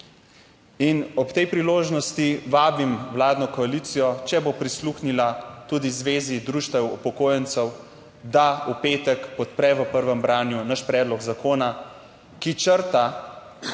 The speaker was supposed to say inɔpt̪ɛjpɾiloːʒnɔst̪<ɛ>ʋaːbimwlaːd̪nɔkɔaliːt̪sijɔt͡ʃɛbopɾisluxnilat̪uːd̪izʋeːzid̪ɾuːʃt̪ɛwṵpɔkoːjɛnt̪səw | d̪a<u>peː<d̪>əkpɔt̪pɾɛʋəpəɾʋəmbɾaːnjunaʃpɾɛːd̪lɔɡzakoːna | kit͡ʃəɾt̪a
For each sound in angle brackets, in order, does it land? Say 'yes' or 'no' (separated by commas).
no, yes, no